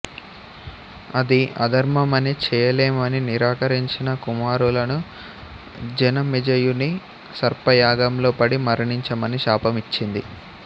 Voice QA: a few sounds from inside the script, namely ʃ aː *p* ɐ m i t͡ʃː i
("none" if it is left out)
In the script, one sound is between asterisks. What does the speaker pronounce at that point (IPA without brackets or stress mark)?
p